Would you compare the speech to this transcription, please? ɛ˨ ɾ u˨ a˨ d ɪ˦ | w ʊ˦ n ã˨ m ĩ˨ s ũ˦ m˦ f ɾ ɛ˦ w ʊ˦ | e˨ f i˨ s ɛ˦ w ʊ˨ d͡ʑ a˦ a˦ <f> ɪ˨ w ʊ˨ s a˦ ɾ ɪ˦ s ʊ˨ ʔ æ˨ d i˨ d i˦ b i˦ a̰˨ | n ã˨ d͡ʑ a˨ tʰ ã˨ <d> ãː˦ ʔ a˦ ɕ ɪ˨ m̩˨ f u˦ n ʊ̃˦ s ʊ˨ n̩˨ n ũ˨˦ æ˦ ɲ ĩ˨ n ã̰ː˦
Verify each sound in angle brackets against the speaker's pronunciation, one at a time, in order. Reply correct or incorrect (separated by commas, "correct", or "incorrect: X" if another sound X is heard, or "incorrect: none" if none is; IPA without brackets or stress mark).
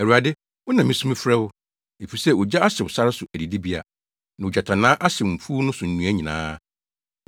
incorrect: ɕ, incorrect: n